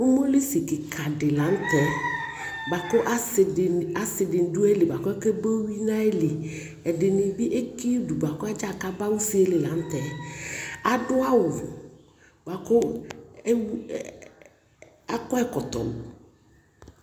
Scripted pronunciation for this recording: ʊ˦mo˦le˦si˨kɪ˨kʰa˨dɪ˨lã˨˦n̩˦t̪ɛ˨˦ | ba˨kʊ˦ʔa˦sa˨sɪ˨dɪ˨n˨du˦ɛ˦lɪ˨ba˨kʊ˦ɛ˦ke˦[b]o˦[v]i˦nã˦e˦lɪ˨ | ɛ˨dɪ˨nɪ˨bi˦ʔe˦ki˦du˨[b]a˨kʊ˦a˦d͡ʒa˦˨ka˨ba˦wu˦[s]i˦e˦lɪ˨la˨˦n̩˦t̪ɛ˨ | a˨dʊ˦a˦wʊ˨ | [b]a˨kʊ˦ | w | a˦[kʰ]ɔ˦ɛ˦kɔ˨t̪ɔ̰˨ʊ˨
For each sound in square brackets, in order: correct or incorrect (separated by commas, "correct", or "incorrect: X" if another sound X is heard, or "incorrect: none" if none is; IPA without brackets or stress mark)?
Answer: correct, incorrect: w, correct, correct, correct, incorrect: k